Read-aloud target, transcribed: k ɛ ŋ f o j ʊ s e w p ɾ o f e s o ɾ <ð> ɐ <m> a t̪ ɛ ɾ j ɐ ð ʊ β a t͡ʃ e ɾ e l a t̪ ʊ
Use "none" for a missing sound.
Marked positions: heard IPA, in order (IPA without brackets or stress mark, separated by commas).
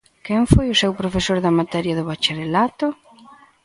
ð, m